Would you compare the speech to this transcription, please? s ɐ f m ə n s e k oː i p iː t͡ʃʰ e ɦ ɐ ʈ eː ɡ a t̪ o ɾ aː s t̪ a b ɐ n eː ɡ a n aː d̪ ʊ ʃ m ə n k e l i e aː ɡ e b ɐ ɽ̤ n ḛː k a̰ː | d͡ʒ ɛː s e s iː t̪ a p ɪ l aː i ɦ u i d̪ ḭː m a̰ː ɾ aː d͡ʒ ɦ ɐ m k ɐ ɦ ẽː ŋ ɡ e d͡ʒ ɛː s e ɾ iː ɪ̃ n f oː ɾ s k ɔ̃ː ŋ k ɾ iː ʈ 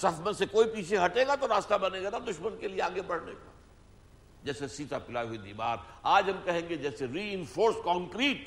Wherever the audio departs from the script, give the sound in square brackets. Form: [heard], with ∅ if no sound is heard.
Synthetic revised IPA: s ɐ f m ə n s e k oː i p iː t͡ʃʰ e ɦ ɐ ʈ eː ɡ a t̪ o ɾ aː s t̪ a b ɐ n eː ɡ a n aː d̪ ʊ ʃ m ə n k e l i e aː ɡ e b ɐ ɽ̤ n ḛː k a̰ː | d͡ʒ ɛː s e s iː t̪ a p ɪ l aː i ɦ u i d̪ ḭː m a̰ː ɾ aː d͡ʒ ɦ ɐ m k ɐ ɦ ẽː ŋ ɡ e d͡ʒ ɛː s e ɾ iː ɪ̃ n f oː ɾ s k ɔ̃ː ŋ k ɾ iː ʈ